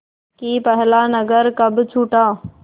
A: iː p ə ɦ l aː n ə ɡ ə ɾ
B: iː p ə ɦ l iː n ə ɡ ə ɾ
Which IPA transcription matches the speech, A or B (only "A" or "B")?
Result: A